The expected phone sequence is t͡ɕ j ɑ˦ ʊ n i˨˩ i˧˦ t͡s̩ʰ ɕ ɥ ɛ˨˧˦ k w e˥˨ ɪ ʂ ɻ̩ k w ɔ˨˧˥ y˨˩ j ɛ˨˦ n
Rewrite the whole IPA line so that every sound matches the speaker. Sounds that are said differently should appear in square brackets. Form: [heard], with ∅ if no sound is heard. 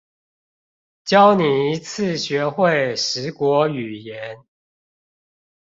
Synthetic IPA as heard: t͡ɕ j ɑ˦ ʊ n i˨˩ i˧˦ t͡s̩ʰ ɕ ɥ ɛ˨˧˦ [x] w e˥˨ ɪ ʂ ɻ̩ k w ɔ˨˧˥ y˨˩ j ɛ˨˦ n